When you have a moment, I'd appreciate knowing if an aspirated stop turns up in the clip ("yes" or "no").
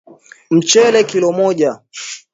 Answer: no